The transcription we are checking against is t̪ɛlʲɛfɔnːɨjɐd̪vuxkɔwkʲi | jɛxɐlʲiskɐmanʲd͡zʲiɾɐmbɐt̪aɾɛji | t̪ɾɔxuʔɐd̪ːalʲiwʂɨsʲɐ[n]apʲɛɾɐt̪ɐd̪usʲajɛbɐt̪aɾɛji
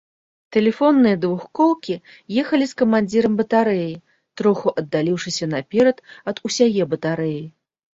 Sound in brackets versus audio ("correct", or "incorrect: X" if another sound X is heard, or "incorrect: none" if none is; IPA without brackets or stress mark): correct